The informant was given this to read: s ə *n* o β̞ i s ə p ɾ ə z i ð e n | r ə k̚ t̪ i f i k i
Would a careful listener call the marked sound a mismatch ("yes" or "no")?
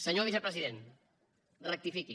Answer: yes